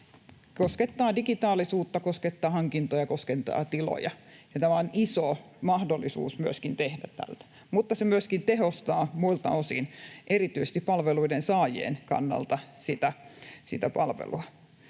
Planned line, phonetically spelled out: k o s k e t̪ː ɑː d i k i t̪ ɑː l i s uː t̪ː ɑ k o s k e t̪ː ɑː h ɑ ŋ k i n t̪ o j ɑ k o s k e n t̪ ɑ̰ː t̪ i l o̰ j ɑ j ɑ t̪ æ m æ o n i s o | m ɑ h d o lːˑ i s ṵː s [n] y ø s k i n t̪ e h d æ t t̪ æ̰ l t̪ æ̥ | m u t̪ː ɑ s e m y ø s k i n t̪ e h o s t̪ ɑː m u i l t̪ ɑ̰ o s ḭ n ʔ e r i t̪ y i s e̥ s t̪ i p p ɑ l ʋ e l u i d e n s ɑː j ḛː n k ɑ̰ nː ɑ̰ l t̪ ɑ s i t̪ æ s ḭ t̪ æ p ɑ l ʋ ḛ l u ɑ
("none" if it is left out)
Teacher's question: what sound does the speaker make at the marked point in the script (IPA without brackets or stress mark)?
m